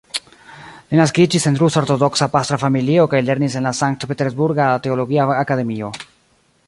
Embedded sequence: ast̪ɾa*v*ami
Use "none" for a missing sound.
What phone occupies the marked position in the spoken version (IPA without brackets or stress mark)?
f